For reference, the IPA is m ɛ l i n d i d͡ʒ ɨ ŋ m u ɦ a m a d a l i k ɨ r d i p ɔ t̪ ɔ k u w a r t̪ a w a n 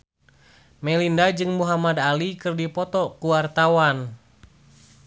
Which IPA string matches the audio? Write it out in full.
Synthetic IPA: m ɛ l i n d a d͡ʒ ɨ ŋ m u ɦ a m a d a l i k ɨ r d i p ɔ t̪ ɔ k u w a r t̪ a w a n